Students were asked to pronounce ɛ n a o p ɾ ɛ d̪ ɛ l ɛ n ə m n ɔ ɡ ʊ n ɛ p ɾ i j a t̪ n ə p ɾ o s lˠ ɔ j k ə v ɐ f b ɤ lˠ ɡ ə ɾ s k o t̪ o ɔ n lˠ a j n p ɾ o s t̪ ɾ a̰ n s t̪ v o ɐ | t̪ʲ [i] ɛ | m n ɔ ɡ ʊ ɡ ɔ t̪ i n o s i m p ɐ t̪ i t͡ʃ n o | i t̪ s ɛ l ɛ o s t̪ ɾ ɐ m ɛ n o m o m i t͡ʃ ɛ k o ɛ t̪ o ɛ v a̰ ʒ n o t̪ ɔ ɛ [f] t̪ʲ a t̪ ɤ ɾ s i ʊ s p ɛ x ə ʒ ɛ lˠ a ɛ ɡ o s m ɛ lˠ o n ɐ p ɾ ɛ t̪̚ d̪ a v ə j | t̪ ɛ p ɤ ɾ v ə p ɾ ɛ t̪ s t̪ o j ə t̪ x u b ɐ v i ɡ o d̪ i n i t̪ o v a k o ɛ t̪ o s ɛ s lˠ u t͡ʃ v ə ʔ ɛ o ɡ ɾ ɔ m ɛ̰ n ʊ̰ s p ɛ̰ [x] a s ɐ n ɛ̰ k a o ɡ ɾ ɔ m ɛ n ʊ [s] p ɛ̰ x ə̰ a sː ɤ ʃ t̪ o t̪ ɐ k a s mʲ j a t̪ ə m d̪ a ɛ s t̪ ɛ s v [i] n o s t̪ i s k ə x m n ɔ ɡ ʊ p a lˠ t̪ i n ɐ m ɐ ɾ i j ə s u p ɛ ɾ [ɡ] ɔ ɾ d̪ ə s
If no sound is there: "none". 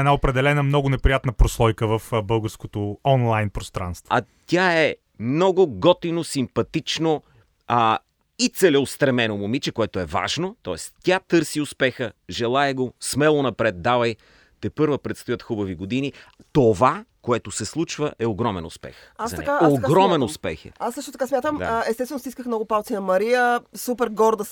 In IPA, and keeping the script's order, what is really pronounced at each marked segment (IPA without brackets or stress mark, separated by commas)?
a, s, x, s, ɛ, ɡ